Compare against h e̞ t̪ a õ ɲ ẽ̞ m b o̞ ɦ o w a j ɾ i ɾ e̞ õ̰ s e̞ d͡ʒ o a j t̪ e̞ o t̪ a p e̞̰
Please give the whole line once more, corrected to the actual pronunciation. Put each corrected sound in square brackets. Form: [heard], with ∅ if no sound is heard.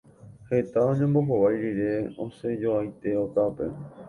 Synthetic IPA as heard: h e̞ t̪ a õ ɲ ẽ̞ m b o̞ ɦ o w a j ɾ i ɾ e̞ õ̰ s e̞ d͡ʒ o a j t̪ e̞ o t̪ a p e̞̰